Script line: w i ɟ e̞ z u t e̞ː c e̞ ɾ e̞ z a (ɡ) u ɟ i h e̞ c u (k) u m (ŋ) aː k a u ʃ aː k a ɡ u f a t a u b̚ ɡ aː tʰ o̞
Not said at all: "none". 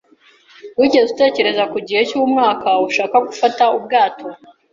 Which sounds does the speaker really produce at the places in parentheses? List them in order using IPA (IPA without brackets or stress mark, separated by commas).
k, none, ŋ